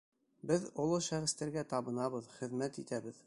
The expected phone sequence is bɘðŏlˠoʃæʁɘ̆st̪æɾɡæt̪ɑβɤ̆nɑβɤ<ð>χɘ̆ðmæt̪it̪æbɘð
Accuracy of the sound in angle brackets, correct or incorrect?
correct